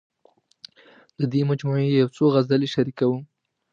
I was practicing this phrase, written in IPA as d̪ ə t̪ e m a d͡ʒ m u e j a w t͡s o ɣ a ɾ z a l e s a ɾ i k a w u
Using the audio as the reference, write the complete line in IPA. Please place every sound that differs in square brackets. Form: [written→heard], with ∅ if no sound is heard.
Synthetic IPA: d̪ ə [t̪→d̪] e m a d͡ʒ m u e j a w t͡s o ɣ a [ɾ→∅] z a l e [s→ʃ] a ɾ i k a w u